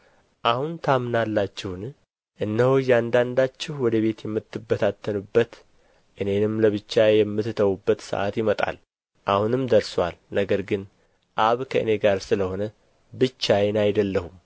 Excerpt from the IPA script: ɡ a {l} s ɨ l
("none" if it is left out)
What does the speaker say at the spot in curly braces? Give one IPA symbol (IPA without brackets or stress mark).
ɾ